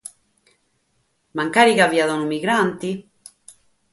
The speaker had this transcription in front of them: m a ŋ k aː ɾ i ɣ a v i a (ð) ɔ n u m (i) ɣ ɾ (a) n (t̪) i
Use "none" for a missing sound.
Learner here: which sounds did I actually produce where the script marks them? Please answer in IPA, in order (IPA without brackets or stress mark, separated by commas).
ð, i, a, t̪